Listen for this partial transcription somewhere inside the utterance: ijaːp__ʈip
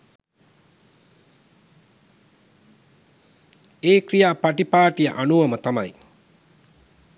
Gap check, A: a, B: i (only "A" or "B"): A